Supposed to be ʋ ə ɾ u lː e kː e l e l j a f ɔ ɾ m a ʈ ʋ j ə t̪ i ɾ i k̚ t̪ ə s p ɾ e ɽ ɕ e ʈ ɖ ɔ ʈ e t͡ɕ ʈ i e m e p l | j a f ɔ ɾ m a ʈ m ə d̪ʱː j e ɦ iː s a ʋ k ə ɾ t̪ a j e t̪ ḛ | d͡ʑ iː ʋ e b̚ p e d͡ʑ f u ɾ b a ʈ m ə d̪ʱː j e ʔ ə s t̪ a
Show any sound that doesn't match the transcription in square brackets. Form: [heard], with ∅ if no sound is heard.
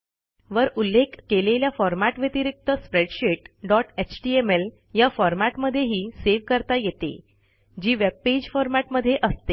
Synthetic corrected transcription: ʋ ə ɾ u lː e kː e l e l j a f ɔ ɾ m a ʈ ʋ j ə t̪ i ɾ i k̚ t̪ ə s p ɾ e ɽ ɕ e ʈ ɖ ɔ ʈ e t͡ɕ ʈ i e m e [∅] l | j a f ɔ ɾ m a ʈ m ə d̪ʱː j e ɦ iː s [e] ʋ k ə ɾ t̪ a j e t̪ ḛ | d͡ʑ iː ʋ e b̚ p e d͡ʑ f [ɔ] ɾ [m] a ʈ m ə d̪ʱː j e ʔ ə s t̪ [e]